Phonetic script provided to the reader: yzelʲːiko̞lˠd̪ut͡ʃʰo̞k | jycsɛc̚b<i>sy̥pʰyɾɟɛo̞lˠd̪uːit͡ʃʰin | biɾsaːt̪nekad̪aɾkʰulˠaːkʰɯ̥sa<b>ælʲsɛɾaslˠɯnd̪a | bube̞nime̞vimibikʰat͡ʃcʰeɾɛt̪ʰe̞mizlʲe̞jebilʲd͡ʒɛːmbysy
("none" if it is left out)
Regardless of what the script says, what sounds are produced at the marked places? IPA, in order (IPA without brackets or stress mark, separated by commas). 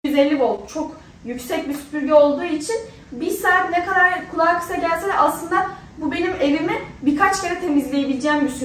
i, ɟ